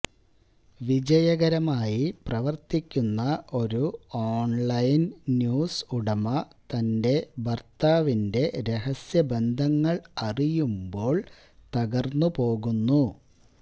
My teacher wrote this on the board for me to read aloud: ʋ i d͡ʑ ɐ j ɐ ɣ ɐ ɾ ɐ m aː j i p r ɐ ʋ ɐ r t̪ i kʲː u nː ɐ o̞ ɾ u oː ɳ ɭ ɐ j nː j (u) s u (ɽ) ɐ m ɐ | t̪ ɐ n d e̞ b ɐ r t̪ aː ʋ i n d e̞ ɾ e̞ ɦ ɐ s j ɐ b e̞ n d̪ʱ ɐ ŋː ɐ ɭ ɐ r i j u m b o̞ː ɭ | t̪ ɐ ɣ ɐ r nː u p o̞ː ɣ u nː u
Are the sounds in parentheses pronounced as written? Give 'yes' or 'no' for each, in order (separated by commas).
no, yes